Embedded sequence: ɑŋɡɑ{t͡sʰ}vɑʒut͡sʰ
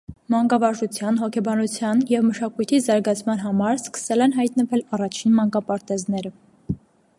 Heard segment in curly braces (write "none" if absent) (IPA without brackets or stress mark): none